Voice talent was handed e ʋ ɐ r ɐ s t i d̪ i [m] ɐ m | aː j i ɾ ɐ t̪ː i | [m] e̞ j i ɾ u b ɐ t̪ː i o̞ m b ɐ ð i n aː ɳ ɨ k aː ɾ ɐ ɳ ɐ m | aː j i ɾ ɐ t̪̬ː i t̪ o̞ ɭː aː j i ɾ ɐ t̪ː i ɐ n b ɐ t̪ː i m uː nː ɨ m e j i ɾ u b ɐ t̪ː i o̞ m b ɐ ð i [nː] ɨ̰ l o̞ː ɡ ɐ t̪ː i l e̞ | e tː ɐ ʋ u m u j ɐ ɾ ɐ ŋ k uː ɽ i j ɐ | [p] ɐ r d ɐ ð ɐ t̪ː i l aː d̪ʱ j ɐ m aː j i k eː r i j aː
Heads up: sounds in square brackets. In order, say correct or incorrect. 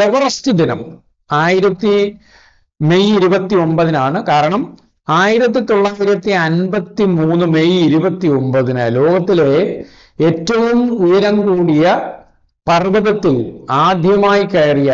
incorrect: n, correct, incorrect: n, correct

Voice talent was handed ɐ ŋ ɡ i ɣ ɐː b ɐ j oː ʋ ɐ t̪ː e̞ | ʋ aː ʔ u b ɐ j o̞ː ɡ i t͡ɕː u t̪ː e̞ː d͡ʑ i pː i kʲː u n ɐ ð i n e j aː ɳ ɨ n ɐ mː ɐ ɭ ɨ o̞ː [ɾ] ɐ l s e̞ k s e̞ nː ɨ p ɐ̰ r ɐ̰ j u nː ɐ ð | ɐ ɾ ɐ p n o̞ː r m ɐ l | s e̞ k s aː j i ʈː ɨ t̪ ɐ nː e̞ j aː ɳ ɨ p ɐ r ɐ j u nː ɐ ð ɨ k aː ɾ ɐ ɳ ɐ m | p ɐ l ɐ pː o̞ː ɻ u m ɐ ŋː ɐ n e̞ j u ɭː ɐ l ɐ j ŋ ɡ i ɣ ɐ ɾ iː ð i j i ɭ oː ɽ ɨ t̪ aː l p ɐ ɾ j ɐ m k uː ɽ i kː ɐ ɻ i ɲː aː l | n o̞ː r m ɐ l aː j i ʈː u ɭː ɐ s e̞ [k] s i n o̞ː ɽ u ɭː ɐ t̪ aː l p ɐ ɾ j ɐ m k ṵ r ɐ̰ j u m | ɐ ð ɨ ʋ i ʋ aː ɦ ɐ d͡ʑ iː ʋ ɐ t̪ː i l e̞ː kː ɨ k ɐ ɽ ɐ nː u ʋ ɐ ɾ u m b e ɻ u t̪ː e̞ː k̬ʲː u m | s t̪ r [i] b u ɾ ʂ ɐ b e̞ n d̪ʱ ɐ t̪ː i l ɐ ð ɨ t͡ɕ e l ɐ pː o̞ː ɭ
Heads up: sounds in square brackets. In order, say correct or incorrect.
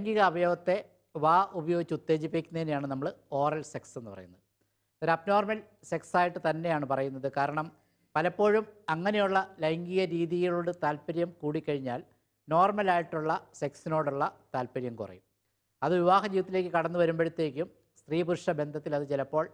incorrect: r, correct, incorrect: iː

